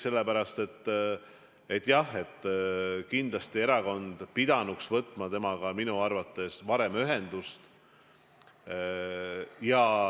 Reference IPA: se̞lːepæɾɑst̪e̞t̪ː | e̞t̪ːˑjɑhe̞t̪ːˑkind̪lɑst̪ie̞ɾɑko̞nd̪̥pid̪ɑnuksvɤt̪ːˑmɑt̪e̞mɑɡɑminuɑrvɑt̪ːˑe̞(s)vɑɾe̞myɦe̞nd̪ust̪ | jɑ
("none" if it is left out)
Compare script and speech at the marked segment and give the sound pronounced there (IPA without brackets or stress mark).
s